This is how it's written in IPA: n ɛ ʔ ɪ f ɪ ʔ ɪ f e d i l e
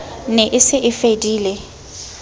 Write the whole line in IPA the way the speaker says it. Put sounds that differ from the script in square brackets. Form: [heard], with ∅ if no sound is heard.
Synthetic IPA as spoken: n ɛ ʔ ɪ [s] ɪ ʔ ɪ f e d [iː] l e